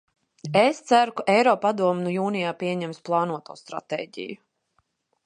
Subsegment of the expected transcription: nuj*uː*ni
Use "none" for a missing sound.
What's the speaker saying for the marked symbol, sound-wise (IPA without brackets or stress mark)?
uː